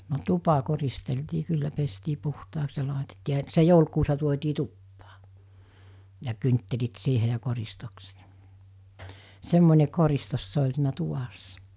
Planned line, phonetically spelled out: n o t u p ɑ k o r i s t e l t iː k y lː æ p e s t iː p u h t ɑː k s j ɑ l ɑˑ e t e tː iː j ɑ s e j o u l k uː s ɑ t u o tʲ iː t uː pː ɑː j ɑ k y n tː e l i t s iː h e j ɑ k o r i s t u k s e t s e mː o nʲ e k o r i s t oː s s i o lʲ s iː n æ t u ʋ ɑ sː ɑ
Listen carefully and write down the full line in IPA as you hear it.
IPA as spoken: n o t u p ɑ k o r i s t e l t iː k y lː æ p e s t iː p u h t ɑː k s j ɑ l ɑˑ e t e tː iː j ɑ s e j o u l k uː s ɑ t u o tʲ iː t u pː ɑː j ɑ k y n tː e l i t s iː h e j ɑ k o r i s t o k s e t s e mː o nʲ e k o r i s t o s s e o lʲ s iː n æ t u ʋ ɑ sː ɑ